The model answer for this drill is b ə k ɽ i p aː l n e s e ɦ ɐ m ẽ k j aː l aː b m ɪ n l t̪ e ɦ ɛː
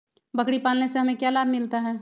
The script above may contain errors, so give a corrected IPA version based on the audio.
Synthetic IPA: b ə k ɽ i p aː l n e s e ɦ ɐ m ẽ k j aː l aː b m ɪ l t̪ a ɦ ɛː